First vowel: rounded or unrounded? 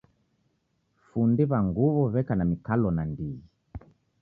rounded